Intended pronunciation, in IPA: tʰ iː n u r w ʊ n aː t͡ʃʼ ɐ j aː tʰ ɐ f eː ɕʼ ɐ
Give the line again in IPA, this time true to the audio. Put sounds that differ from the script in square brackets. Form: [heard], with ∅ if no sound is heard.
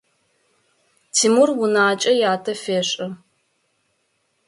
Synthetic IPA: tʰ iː [m] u r w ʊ n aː t͡ʃʼ ɐ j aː tʰ ɐ f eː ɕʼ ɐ